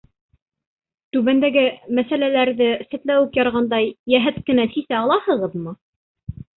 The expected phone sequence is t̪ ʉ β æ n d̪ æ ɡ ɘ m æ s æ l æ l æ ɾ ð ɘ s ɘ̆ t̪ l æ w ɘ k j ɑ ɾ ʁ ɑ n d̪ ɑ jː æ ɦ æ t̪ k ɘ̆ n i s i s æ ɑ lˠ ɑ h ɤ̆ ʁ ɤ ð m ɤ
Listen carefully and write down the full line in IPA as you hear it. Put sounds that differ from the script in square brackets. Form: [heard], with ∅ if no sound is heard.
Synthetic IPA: t̪ ʉ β æ n d̪ æ ɡ ɘ m æ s æ l æ l æ ɾ ð ɘ s ɘ̆ t̪ l æ w ɘ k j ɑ ɾ ʁ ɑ n d̪ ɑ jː æ ɦ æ t̪ k ɘ̆ n [æ] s i s æ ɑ lˠ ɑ h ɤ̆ ʁ ɤ ð m ɤ